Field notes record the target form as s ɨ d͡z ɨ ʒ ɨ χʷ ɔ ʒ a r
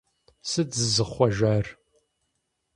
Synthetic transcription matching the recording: s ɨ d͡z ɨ z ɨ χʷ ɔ ʒ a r